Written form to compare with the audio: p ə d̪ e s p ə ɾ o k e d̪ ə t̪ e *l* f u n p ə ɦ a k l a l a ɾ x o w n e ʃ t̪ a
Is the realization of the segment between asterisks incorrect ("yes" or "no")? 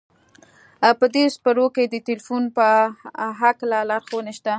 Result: no